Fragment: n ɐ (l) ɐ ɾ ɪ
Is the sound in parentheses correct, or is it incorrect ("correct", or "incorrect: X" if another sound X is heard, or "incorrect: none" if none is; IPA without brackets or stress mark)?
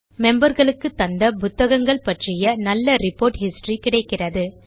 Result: incorrect: lː